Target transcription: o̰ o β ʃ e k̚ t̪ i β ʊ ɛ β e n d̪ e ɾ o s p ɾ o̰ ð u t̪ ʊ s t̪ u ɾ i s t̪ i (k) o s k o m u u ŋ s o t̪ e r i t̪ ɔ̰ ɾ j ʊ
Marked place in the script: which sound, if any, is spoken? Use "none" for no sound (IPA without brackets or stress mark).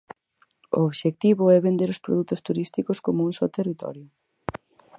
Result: k